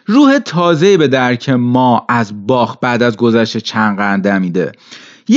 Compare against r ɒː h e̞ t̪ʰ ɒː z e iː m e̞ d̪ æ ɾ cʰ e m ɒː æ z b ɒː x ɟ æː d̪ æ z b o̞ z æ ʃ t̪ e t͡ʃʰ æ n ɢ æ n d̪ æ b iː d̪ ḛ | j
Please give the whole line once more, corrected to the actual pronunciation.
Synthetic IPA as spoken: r uː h e̞ t̪ʰ ɒː z e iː b e̞ d̪ æ ɾ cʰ e m ɒː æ z b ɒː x b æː d̪ æ z ɡ o̞ z æ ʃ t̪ e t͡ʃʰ æ n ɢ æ n d̪ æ m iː d̪ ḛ | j